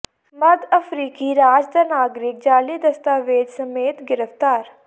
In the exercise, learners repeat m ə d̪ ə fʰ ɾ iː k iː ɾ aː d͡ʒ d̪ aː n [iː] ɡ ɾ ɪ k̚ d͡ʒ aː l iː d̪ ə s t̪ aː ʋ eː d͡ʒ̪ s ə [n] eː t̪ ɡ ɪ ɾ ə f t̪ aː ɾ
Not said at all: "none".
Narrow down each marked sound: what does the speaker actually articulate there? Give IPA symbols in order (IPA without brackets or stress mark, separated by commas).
aː, m